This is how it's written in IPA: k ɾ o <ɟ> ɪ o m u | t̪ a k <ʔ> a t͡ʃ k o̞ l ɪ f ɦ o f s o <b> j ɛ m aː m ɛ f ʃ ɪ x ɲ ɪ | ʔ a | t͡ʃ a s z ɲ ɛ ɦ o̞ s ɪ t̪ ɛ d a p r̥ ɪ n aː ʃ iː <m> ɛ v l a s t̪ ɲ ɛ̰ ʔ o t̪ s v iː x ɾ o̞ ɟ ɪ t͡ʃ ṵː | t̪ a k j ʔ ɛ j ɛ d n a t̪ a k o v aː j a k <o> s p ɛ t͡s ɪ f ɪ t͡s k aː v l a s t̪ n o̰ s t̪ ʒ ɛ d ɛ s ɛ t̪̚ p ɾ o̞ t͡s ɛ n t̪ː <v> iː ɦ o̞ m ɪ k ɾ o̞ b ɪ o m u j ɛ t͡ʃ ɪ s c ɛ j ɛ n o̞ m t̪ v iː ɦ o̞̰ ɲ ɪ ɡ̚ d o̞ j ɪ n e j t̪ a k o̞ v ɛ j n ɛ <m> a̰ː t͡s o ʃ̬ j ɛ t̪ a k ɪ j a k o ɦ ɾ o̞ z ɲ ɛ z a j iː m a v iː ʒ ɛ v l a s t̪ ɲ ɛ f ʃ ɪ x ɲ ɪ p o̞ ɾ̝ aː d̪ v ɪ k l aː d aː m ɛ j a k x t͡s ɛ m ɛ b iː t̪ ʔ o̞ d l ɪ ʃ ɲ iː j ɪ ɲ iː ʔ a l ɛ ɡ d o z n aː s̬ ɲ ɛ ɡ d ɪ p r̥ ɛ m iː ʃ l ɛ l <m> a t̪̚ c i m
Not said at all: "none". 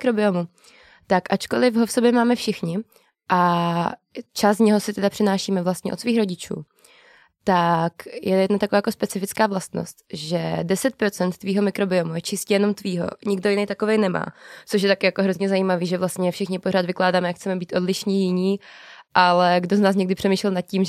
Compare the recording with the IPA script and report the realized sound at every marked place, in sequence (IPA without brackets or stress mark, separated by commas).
b, ʔ, b, m, o, v, m, n